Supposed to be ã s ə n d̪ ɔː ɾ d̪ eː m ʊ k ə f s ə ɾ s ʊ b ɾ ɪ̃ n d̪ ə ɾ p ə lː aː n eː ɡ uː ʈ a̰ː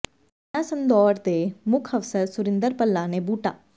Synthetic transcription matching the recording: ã s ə n d̪ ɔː ɾ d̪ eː m ʊ kʰ ə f s ə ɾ s ʊ ɾ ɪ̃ n d̪ ə ɾ p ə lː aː n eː b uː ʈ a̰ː